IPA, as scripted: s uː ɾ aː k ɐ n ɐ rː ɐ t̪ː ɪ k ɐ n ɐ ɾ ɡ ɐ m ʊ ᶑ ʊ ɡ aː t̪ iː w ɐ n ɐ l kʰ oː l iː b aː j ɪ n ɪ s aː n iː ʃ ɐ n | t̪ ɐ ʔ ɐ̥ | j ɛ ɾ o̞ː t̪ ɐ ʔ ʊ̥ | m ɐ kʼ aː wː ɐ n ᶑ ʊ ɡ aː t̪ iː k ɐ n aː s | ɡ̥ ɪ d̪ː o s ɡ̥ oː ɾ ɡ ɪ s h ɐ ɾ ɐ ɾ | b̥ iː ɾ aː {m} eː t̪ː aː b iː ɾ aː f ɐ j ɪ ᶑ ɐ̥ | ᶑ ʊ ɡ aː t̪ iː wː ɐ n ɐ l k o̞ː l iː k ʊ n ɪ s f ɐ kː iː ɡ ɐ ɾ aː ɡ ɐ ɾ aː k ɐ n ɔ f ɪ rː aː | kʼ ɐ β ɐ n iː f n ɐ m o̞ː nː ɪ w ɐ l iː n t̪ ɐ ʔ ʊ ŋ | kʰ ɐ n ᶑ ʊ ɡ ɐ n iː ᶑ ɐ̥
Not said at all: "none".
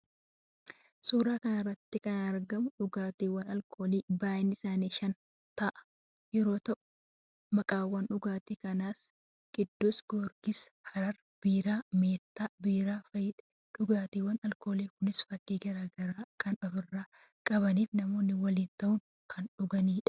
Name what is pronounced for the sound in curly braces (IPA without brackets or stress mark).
m